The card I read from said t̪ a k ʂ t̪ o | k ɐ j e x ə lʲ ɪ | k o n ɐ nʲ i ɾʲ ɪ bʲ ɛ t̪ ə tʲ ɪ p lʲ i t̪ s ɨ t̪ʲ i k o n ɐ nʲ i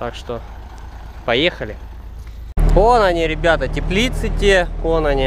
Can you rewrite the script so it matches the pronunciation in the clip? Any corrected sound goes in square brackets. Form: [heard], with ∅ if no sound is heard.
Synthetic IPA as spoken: t̪ a k ʂ t̪ o | [p] ɐ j e x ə lʲ ɪ | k o n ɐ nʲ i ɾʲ ɪ bʲ [a] t̪ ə tʲ ɪ p lʲ i t̪ s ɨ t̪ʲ [e] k o n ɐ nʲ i